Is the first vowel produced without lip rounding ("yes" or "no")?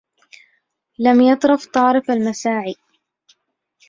yes